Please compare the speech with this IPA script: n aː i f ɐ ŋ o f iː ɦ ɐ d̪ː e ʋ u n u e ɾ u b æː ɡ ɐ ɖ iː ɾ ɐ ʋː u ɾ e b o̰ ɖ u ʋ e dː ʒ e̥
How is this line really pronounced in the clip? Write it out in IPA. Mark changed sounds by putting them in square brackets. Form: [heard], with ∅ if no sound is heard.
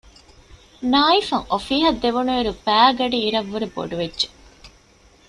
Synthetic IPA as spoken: n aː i f ɐ ŋ o f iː ɦ ɐ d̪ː e ʋ u n u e ɾ u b æː ɡ ɐ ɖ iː ɾ ɐ ʋː u ɾ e b o̰ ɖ u ʋ e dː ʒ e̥